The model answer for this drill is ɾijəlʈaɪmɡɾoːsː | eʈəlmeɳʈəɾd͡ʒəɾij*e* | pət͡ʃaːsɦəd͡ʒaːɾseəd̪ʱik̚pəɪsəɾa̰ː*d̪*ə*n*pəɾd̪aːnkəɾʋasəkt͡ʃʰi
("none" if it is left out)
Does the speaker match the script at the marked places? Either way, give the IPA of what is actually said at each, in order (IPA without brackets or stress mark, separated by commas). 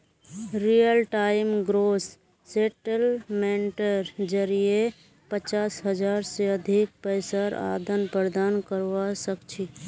e, d̪, n